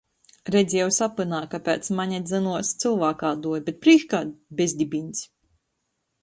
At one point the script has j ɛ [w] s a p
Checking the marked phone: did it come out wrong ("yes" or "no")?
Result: no